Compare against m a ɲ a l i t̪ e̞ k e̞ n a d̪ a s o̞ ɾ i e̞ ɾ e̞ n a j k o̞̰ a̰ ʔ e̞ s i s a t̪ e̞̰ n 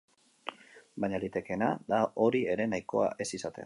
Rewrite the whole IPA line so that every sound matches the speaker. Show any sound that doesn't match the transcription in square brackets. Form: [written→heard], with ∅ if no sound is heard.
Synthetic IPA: [m→b] a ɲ a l i t̪ e̞ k e̞ n a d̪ a [s→∅] o̞ ɾ i e̞ ɾ e̞ n a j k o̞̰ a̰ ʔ e̞ s i s a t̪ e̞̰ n

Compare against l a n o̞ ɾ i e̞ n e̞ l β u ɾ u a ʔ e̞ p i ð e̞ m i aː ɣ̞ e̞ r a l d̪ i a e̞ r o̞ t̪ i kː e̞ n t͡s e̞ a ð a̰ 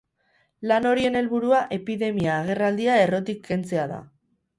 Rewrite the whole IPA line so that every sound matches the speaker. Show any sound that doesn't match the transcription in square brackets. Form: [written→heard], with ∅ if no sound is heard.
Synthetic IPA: l a n o̞ ɾ i e̞ n e̞ l β u ɾ u a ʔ e̞ p i ð e̞ m i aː ɣ̞ e̞ r a l d̪ i a e̞ r o̞ t̪ i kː e̞ n t͡s e̞ a ð a̰

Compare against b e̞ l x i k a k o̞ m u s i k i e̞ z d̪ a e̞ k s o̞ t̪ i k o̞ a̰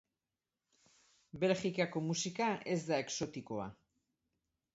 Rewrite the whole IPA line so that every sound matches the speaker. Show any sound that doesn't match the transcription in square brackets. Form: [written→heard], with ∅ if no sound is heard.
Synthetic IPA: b e̞ l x i k a k o̞ m u s i k [i→a] e̞ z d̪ a e̞ k s o̞ t̪ i k o̞ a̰

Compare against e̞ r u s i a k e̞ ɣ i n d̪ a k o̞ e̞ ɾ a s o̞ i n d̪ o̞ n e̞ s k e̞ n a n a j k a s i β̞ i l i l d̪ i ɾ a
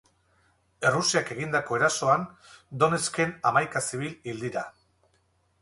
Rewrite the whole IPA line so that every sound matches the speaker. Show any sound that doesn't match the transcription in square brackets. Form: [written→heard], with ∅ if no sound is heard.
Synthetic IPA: e̞ r u s i a k e̞ ɣ i n d̪ a k o̞ e̞ ɾ a s o̞ [i→a] n d̪ o̞ n e̞ s k e̞ n a [n→m] a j k a s i β̞ i l i l d̪ i ɾ a

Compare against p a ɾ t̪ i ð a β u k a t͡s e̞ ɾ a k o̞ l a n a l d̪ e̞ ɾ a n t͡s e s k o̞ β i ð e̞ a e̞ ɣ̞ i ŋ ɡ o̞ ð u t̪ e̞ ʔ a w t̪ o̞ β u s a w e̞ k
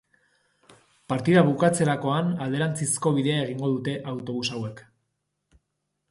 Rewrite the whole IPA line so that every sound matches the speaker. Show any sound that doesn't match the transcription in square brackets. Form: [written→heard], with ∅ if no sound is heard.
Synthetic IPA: p a ɾ t̪ i ð a β u k a t͡s e̞ ɾ a k o̞ [l→∅] a n a l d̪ e̞ ɾ a n t͡s [e→i] s k o̞ β i ð e̞ a e̞ ɣ̞ i ŋ ɡ o̞ ð u t̪ e̞ ʔ a w t̪ o̞ β u s a w e̞ k

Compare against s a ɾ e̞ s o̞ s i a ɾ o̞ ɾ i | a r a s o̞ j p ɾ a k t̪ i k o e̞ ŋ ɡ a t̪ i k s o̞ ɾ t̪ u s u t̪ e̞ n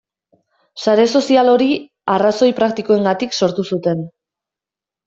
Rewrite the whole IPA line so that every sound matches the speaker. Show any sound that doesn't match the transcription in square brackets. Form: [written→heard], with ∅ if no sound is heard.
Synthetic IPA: s a ɾ e̞ s o̞ s i a [ɾ→l] o̞ ɾ i | a r a s o̞ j p ɾ a k t̪ i k o e̞ ŋ ɡ a t̪ i k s o̞ ɾ t̪ u s u t̪ e̞ n

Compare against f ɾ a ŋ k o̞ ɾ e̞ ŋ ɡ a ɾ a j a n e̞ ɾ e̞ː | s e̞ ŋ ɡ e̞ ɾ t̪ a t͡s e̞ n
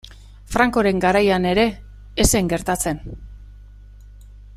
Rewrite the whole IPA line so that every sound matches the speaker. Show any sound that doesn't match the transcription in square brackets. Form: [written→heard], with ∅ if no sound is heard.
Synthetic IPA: f ɾ a ŋ k o̞ ɾ e̞ ŋ ɡ a ɾ a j a n e̞ ɾ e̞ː | s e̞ ŋ ɡ e̞ ɾ t̪ a t͡s e̞ n

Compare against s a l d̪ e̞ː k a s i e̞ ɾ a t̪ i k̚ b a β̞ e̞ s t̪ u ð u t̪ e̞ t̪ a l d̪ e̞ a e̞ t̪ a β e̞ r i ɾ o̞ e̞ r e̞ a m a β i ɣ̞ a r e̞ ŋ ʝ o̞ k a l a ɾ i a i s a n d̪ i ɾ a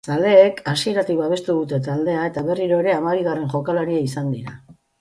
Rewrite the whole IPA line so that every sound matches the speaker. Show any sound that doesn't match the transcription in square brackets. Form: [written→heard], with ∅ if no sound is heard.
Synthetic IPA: s a l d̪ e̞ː k a s i e̞ ɾ a t̪ i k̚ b a β̞ e̞ s t̪ u ð u t̪ e̞ t̪ a l d̪ e̞ a e̞ t̪ a β e̞ r i ɾ o̞ e̞ [r→ɾ] e̞ a m a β i ɣ̞ a r e̞ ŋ ʝ o̞ k a l a ɾ i a i s a n d̪ i ɾ a

